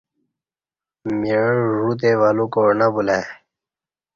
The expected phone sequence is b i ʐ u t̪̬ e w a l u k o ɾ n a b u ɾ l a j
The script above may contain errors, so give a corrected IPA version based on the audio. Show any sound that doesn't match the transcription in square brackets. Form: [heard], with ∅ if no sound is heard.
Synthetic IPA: [m] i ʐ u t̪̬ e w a l u k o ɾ n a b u [∅] l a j